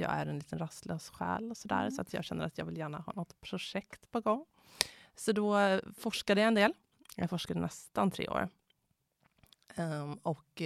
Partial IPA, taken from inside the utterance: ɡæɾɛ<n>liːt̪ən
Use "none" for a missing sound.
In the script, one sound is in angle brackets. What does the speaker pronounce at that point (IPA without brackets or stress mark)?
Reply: n